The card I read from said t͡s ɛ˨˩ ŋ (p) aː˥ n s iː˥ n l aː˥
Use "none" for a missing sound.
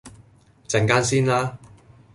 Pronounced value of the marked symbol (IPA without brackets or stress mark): k